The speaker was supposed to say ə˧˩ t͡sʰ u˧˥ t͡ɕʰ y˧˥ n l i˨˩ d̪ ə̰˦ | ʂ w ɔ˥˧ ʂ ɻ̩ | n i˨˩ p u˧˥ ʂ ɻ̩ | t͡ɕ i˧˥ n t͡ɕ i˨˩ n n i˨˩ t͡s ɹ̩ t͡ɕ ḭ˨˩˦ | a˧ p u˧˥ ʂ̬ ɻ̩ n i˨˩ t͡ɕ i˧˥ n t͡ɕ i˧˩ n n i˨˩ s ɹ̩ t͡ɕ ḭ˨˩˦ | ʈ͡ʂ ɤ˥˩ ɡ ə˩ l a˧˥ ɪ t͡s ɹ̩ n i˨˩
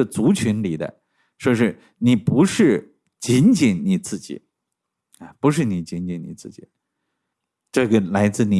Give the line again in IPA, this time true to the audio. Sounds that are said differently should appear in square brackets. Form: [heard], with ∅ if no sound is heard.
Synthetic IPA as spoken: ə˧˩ [t͡s] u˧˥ t͡ɕʰ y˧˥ n l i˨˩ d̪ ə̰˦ | ʂ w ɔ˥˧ ʂ ɻ̩ | n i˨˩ p u˧˥ ʂ ɻ̩ | t͡ɕ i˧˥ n t͡ɕ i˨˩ n n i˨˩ t͡s ɹ̩ t͡ɕ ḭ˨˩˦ | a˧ p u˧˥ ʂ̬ ɻ̩ n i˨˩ t͡ɕ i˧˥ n t͡ɕ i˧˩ n n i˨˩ [t͡s] ɹ̩ t͡ɕ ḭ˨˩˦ | ʈ͡ʂ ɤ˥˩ ɡ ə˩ l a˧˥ ɪ t͡s ɹ̩ n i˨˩